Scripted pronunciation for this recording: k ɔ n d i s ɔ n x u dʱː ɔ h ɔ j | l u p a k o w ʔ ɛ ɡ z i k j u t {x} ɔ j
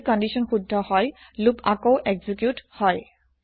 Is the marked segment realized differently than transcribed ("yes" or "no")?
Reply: yes